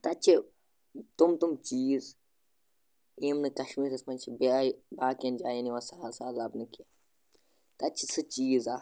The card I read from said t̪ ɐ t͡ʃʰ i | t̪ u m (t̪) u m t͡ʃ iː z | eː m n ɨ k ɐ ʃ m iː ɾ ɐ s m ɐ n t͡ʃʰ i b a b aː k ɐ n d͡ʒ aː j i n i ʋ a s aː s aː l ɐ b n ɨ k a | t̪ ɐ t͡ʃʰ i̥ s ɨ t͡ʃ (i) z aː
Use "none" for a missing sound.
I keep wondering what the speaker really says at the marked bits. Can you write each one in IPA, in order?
t̪, iː

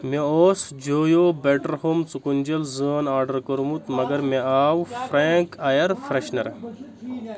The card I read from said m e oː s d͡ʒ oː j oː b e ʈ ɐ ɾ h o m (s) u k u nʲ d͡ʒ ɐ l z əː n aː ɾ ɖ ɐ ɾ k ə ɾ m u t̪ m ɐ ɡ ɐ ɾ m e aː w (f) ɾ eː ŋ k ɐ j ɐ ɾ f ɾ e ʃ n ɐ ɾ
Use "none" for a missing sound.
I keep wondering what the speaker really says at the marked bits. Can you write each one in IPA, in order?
t͡s, f

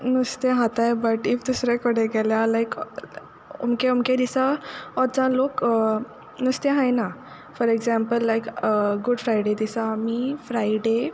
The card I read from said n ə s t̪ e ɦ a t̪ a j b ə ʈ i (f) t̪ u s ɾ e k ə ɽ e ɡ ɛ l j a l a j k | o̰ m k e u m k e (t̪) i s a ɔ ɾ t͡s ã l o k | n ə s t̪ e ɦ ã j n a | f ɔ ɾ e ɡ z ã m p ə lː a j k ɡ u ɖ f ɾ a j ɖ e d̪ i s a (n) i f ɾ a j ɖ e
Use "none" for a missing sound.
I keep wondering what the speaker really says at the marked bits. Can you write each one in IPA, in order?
f, d̪, m

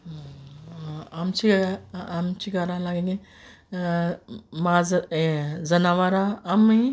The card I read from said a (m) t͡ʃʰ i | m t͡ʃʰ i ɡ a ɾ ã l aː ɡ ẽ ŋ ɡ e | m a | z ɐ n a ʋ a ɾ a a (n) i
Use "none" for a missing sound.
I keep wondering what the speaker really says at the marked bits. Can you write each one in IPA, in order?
m, m

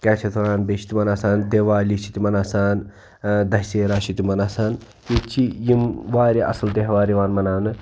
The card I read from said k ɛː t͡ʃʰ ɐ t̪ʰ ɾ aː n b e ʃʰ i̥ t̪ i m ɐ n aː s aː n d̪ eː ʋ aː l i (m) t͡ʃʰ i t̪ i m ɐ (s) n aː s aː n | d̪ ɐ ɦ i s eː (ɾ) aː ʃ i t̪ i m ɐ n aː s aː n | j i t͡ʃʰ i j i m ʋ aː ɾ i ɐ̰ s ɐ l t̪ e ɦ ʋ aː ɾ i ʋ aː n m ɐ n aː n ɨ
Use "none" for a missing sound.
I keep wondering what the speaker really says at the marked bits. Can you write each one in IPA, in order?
none, none, ɾ

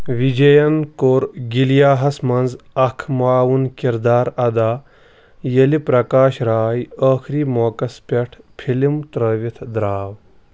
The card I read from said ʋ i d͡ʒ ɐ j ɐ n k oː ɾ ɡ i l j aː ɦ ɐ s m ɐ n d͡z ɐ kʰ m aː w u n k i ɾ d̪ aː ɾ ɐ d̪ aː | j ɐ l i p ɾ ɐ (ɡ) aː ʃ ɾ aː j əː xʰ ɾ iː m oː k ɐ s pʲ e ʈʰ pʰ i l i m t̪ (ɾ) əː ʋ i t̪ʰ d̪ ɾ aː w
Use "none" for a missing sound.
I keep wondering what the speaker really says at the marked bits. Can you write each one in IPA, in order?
k, ɾ

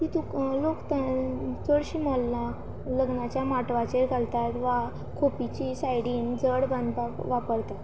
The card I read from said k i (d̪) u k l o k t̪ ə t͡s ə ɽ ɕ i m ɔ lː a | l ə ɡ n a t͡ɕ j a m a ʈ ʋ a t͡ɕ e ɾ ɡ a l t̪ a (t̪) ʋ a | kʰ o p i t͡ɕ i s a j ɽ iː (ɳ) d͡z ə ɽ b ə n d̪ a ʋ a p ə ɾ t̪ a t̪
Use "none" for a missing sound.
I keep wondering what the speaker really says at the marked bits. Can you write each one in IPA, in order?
t̪, t̪, n

